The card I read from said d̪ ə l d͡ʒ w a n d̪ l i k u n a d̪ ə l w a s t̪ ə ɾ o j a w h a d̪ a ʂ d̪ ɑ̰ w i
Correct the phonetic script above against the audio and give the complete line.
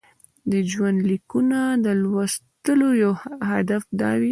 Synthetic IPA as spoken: d̪ ə d͡ʒ w a n d̪ l i k u n a d̪ ə l w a s t̪ ə l o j a w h a d̪ a f d̪ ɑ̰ w i